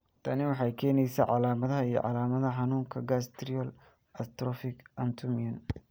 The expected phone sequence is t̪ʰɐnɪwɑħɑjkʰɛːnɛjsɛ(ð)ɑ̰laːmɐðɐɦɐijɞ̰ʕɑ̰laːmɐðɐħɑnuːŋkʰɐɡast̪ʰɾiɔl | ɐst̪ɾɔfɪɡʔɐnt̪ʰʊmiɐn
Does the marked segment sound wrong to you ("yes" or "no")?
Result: yes